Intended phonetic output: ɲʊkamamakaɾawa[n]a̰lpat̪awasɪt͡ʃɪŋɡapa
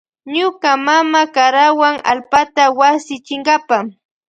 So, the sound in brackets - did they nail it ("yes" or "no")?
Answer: no